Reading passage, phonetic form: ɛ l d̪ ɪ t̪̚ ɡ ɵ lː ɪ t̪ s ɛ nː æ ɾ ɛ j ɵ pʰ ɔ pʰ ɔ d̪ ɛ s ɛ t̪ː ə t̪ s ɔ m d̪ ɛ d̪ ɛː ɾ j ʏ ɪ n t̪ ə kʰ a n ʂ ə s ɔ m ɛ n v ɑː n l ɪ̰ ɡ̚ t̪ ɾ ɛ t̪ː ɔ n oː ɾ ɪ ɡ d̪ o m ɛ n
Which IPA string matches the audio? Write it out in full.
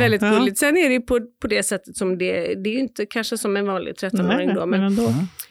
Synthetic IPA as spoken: ɛ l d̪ ɪ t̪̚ ɡ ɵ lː ɪ t̪ s ɛ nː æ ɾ ɛ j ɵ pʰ ɔ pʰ ɔ d̪ ɛ s ɛ t̪ː ə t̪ s ɔ m d̪ ɛ d̪ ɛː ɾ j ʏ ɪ n t̪ ə kʰ a n ʂ ə s ɔ m ɛ n v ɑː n l ɪ̰ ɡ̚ t̪ʰ ɾ ɛ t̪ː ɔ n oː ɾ ɪ ŋ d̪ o m ɛ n